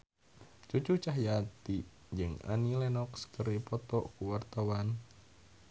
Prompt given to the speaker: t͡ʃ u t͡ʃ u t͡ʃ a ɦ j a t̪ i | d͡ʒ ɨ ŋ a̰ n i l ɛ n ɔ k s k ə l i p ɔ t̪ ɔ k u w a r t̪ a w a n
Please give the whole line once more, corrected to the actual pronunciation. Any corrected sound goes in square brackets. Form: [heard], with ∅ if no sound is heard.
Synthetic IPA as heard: t͡ʃ u t͡ʃ u t͡ʃ a ɦ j a t̪ i | d͡ʒ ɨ ŋ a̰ n i l ɛ n ɔ k s k ə [ɾ] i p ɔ t̪ ɔ k u w a r t̪ a w a n